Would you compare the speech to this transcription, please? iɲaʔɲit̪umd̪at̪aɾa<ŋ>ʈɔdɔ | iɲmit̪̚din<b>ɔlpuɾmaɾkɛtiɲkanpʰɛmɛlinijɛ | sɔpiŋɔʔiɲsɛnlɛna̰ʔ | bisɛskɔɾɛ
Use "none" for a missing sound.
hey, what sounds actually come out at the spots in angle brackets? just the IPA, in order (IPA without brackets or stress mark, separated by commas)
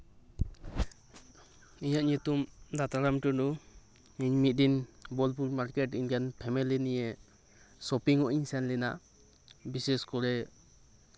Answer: m, b